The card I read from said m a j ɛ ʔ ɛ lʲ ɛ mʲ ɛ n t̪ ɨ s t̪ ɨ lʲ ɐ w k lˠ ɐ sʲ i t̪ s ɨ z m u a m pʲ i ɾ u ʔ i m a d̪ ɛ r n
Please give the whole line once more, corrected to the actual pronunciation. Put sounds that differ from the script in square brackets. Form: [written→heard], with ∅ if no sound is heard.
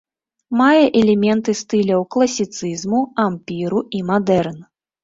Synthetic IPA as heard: m a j ɛ ʔ ɛ lʲ ɛ mʲ ɛ n t̪ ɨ s t̪ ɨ lʲ ɐ w k lˠ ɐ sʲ i t̪ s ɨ z m u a m pʲ i ɾ u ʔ i m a d̪ ɛ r n